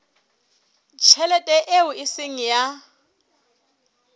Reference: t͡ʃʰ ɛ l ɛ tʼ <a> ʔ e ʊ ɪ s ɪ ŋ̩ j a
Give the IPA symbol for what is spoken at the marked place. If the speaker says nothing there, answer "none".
ɛ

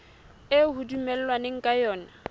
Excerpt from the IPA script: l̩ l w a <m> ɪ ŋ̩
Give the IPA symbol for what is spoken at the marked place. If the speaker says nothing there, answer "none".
n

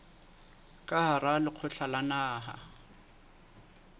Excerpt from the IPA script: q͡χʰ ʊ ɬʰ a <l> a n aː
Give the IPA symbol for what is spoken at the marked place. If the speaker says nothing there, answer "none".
l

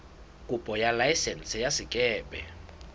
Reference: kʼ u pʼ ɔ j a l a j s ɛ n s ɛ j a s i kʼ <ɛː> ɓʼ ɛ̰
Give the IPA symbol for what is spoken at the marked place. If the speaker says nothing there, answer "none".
ɛː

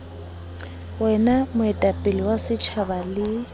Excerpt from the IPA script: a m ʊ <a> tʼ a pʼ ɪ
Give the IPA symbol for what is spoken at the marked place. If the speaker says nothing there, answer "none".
ɛ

